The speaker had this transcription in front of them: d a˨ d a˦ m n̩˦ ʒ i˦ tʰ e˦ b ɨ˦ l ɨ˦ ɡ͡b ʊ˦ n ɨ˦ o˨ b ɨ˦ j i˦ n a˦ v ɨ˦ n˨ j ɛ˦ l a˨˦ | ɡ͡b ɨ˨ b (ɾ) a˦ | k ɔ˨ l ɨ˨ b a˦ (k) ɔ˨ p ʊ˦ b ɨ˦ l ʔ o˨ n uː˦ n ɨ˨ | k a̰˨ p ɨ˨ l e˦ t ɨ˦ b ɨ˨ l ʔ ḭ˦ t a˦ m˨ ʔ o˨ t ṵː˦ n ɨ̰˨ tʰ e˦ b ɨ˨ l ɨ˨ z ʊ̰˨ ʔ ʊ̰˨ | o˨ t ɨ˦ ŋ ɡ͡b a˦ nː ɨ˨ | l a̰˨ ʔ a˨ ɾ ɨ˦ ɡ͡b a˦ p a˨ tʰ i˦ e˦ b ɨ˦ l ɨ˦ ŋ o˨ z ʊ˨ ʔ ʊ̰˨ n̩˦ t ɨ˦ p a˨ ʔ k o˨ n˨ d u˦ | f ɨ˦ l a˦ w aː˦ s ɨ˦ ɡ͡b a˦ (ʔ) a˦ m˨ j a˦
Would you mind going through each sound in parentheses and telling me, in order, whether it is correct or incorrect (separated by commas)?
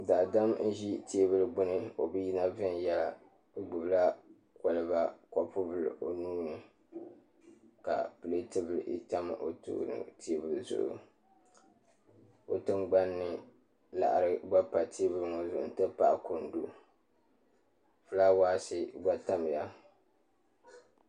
incorrect, correct, incorrect